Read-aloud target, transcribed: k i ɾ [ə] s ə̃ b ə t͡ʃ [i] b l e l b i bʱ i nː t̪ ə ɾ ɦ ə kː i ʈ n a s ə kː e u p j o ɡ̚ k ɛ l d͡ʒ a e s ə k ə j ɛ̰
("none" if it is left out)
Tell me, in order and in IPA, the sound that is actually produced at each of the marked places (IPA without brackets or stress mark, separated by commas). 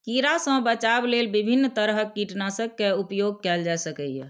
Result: a, a